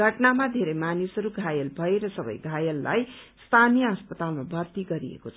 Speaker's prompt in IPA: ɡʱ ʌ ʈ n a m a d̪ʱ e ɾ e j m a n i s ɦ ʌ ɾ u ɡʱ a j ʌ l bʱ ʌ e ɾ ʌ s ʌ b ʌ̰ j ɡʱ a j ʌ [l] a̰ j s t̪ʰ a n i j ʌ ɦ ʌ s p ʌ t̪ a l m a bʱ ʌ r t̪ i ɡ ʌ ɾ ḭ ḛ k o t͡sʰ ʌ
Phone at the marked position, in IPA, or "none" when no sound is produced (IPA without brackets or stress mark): lː